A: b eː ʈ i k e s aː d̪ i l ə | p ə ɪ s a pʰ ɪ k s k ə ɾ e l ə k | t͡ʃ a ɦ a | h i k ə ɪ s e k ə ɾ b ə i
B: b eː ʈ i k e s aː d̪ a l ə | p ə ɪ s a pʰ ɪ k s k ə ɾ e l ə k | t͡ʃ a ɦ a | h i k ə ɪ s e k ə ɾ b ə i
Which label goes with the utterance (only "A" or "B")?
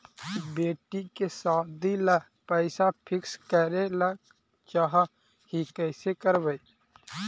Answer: A